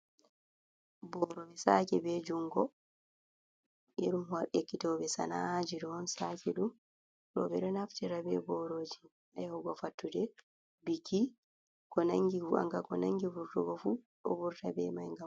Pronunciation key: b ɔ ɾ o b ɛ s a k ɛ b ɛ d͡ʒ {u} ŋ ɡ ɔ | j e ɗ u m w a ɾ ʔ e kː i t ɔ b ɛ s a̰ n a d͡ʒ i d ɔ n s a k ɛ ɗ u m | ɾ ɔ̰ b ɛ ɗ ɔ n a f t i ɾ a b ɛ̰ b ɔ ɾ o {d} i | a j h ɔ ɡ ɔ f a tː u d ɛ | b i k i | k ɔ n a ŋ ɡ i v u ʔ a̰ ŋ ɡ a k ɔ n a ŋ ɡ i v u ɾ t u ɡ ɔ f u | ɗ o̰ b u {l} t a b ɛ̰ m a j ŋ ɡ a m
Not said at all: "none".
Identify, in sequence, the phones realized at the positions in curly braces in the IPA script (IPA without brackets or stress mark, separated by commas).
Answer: u, d͡ʒ, ɾ